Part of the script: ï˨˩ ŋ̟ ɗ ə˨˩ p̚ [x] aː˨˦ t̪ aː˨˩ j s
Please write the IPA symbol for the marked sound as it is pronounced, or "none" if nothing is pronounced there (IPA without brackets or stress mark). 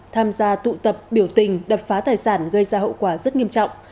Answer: f